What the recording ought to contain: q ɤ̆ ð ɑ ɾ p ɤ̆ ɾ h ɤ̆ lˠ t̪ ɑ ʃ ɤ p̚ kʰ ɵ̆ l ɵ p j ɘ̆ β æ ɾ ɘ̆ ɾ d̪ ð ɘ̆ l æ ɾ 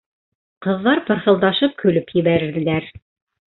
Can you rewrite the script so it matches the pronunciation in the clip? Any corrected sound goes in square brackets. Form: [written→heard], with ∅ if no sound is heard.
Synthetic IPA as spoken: q ɤ̆ [ð→ðː] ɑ ɾ p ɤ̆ ɾ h ɤ̆ lˠ [t̪→d̪] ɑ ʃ ɤ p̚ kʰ ɵ̆ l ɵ p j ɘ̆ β æ ɾ ɘ̆ ɾ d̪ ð ɘ̆ l æ ɾ